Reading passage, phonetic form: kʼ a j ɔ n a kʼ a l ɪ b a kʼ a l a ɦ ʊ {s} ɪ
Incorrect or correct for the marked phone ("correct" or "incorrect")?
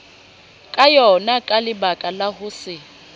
correct